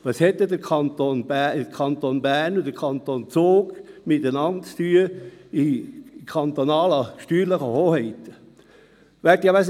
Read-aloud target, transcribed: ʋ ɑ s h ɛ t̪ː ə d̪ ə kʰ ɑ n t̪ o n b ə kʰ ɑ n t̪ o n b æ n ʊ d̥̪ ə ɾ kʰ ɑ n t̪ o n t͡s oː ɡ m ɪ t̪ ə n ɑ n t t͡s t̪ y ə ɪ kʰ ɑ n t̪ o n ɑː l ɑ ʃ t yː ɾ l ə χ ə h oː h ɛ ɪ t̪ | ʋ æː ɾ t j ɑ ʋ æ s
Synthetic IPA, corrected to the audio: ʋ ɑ s h ɛ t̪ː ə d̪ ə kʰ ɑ n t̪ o n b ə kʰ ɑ n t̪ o n b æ n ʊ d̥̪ ə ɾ kʰ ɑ n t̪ o n t͡s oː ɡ m ɪ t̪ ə n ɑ n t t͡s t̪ y ə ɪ kʰ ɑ n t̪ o n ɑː l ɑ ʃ t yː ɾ l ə χ ə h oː h ɛ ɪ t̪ | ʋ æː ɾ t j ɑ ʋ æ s